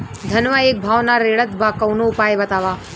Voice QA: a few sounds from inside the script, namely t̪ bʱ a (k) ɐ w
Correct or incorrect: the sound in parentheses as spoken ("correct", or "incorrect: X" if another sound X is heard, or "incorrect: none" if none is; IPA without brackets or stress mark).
correct